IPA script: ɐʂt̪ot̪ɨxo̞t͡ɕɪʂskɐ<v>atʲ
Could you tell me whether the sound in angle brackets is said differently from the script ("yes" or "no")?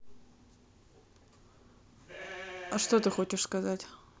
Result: yes